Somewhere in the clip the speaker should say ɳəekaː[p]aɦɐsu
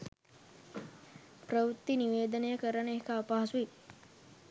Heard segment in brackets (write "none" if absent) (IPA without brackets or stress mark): p